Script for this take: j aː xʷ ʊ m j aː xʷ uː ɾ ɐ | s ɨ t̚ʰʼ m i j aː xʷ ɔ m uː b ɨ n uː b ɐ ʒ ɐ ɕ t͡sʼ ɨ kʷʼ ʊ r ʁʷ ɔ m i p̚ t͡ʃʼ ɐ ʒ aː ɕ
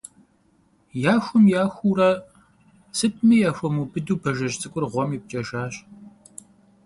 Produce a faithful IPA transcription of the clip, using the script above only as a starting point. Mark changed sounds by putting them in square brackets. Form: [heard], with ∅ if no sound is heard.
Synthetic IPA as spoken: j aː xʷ ʊ m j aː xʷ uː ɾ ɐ | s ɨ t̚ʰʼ m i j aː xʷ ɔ m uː b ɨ [d] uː b ɐ ʒ ɐ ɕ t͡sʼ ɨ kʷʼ ʊ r ʁʷ ɔ m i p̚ t͡ʃʼ ɐ ʒ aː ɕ